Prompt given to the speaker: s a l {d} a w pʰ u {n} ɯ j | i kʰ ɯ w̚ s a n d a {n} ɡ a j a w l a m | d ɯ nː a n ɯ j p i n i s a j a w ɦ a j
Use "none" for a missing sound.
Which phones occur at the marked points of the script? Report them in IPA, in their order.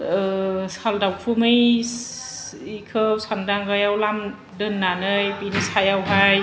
d, m, ŋ

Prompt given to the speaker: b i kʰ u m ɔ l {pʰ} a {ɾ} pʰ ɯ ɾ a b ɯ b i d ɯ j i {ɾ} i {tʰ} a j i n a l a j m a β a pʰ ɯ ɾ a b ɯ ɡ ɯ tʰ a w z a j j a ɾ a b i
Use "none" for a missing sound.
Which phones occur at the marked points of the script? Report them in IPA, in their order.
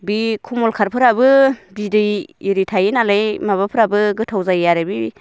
kʰ, ɾ, ɾ, tʰ

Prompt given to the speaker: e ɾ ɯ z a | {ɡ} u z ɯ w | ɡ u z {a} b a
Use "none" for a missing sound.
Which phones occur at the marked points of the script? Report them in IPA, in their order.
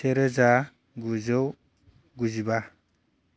ɡ, i

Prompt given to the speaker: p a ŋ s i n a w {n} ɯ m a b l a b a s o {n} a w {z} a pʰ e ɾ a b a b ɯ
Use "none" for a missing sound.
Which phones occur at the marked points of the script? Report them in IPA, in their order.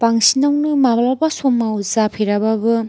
n, m, z

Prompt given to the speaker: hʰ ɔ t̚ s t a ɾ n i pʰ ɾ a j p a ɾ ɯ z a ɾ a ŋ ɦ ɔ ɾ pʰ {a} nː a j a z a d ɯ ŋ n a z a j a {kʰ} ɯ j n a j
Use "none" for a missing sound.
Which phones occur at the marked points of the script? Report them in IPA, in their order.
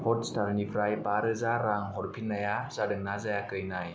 i, k

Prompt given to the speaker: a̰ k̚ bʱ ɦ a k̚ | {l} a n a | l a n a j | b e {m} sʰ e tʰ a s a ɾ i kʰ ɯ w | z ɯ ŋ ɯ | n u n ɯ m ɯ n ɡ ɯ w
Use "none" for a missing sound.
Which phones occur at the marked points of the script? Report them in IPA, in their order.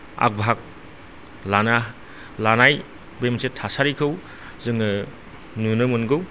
l, m

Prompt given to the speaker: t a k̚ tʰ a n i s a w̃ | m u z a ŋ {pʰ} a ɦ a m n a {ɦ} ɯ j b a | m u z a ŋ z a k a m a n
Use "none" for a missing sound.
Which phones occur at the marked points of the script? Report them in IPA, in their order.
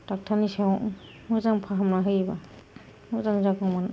pʰ, ɦ

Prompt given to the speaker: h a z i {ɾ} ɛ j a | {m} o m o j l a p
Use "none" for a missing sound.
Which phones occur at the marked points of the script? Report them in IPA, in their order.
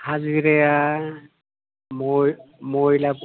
ɾ, m

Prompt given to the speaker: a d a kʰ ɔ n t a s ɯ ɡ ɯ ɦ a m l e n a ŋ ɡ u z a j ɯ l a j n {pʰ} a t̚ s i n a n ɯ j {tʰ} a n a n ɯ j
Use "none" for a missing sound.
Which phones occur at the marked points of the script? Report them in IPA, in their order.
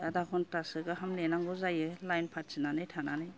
pʰ, tʰ

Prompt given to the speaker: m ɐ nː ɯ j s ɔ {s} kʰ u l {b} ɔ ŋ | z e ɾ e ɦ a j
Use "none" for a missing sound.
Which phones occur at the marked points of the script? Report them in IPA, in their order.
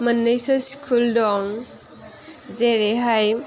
s, d

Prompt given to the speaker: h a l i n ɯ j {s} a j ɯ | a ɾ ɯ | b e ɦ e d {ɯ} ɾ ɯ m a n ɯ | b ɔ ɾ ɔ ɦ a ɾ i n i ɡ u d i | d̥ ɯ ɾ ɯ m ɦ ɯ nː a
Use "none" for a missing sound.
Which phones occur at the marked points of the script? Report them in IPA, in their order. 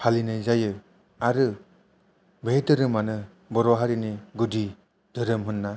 z, ɯ

